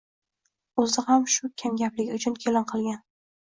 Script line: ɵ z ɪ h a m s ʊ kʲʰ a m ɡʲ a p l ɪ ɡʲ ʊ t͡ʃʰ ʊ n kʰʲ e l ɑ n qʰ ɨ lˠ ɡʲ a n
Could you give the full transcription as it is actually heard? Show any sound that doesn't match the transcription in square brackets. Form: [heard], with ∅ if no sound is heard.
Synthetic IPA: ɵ z ɪ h a m [ʃ] ʊ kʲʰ a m ɡʲ a p l ɪ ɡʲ ʊ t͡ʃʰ ʊ n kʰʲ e l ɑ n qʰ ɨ lˠ ɡʲ a n